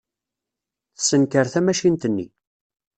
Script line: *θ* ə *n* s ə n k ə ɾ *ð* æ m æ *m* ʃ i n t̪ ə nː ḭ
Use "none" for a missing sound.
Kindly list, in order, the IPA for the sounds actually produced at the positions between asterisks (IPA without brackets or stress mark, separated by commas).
θ, none, θ, none